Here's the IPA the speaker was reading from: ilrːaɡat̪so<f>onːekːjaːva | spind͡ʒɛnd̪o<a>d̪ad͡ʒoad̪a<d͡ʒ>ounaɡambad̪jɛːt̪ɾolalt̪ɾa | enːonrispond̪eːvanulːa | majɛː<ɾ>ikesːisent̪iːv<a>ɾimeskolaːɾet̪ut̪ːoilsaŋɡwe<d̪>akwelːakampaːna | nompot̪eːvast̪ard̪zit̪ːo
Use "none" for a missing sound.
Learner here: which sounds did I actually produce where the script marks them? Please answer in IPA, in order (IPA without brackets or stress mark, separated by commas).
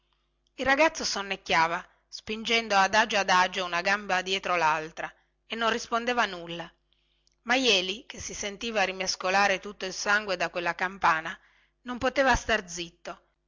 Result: s, a, d͡ʒ, l, a, d̪